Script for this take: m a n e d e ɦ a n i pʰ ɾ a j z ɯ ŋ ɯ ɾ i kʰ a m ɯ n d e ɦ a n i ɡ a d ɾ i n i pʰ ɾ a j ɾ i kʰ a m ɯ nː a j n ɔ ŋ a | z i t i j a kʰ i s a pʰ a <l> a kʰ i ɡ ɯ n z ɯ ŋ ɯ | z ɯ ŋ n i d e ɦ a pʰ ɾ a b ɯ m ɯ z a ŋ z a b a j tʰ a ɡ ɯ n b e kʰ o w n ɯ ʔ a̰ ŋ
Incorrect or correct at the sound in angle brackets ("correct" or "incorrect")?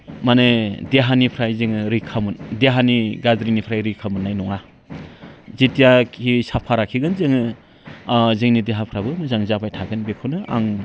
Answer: incorrect